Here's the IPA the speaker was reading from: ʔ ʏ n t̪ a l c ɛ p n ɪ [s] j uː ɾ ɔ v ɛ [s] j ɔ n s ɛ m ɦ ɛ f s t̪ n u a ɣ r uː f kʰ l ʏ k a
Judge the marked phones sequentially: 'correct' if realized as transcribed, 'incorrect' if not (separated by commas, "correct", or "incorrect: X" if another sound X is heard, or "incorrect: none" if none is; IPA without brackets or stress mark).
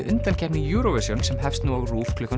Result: incorrect: none, correct